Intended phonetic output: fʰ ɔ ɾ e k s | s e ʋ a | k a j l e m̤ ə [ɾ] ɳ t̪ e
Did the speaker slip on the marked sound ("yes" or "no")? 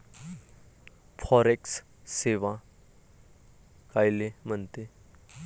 yes